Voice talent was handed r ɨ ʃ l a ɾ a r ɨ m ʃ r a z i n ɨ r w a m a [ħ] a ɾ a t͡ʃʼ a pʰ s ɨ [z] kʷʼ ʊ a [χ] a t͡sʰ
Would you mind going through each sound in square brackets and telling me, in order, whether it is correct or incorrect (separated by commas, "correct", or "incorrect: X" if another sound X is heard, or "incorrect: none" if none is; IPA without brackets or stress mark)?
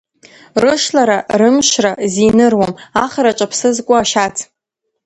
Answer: incorrect: χ, correct, incorrect: ʃ